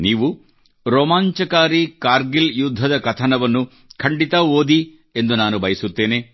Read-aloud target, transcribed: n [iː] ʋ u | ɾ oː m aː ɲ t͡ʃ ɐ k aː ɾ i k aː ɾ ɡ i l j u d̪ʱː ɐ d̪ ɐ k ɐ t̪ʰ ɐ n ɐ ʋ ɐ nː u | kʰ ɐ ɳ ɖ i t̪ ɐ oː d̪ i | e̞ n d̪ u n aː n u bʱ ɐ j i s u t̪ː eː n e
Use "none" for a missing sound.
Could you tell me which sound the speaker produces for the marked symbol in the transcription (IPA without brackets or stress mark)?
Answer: iː